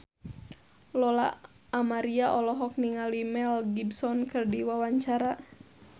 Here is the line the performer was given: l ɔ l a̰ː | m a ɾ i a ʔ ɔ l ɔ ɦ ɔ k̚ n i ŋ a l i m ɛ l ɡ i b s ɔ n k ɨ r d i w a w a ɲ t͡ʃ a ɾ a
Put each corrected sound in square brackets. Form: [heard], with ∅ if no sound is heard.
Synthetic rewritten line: l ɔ l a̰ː | m a ɾ i a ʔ ɔ l ɔ ɦ ɔ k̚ n i ŋ a l i m ɛ l ɡ i b s ɔ n k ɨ r d i w a w a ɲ t͡ʃ a ɾ a